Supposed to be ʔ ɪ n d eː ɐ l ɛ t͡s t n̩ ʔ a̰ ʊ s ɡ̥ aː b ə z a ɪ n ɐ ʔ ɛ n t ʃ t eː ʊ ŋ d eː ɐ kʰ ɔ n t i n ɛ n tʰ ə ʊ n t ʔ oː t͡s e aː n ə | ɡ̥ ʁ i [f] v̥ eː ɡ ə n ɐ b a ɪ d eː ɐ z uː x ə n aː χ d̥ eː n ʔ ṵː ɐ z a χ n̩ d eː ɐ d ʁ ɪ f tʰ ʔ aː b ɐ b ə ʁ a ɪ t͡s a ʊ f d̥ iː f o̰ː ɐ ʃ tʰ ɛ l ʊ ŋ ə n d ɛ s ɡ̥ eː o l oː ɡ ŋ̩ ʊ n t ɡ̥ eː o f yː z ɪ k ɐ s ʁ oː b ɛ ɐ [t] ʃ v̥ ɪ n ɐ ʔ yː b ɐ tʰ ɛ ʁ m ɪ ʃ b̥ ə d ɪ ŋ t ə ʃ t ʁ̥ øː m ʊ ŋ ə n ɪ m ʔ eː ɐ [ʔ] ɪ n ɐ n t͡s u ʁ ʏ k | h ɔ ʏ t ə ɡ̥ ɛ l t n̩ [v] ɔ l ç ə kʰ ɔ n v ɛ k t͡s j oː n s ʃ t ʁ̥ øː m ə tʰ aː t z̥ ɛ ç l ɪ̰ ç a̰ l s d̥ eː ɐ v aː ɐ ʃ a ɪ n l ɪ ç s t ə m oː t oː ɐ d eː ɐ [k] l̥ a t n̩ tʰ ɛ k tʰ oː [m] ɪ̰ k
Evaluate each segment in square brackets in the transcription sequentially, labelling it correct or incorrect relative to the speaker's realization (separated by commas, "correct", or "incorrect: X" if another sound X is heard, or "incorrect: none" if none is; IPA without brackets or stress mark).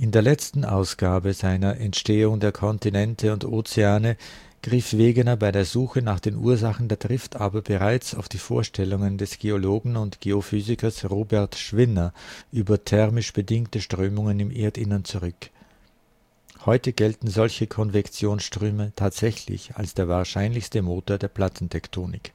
correct, correct, incorrect: t, incorrect: z, incorrect: p, incorrect: n